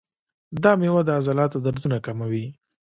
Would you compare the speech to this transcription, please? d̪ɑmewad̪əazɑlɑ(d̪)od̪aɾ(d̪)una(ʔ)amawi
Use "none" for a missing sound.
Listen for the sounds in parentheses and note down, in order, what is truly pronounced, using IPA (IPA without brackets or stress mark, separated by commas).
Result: t̪, d̪, k